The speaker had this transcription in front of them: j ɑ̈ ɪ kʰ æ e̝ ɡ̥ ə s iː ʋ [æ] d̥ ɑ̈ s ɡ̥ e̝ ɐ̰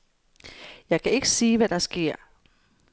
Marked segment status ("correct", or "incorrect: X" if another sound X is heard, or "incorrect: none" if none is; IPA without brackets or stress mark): correct